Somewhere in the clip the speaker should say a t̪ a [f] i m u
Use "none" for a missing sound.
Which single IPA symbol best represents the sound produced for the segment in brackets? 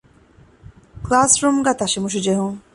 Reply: ʃ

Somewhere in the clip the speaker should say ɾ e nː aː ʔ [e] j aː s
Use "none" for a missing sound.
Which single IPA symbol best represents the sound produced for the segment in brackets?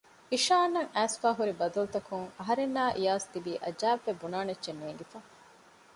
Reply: i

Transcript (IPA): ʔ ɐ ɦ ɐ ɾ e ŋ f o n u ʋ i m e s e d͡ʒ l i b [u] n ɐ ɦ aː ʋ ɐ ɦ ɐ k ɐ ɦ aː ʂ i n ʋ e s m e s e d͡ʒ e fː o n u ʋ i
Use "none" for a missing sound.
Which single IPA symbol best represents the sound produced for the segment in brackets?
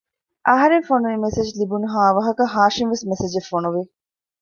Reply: u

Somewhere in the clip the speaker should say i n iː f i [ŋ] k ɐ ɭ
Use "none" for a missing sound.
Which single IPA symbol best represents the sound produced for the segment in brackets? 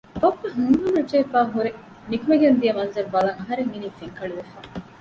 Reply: ŋ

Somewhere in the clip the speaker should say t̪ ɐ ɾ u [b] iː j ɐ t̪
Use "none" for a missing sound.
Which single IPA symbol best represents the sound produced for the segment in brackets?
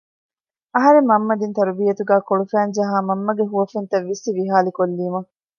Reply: b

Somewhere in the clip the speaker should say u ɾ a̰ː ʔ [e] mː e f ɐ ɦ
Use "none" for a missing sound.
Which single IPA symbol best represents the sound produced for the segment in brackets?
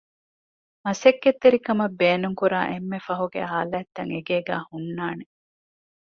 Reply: e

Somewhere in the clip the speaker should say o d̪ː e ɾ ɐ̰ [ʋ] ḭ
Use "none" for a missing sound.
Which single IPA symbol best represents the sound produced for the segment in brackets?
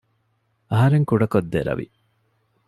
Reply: ʋ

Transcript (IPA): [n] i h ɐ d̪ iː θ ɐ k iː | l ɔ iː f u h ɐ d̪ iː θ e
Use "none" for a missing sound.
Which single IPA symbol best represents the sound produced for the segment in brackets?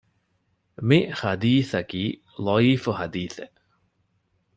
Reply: m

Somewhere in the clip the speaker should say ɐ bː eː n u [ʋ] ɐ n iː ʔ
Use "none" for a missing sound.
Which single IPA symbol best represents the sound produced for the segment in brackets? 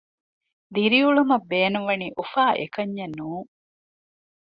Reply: ʋ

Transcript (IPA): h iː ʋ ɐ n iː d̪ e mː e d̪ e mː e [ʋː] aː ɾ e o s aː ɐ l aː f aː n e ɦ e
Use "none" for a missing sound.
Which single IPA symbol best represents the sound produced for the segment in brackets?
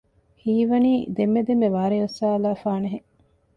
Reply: ʋ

